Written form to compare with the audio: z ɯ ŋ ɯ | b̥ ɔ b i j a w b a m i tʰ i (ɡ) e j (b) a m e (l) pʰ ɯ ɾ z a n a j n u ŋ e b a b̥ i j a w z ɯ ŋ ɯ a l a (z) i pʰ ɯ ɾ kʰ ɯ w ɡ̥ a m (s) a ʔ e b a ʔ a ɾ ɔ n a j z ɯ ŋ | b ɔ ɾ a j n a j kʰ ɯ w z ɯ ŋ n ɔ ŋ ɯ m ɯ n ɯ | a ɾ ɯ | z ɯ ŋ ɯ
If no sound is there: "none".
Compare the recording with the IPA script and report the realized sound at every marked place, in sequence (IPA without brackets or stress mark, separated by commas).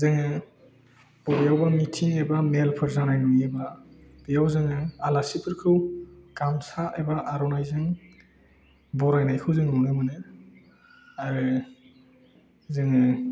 ŋ, b, l, s, s